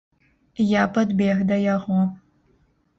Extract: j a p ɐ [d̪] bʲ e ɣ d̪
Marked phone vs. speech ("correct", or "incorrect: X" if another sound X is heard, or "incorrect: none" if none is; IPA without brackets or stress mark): correct